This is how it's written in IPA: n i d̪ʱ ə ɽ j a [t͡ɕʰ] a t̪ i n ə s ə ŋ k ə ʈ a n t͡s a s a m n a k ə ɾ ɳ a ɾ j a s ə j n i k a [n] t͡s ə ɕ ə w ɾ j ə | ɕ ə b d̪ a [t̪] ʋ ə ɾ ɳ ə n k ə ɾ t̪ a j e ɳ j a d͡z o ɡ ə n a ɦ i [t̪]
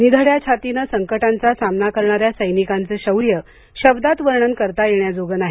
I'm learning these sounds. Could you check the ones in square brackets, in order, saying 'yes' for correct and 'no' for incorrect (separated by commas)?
yes, yes, yes, no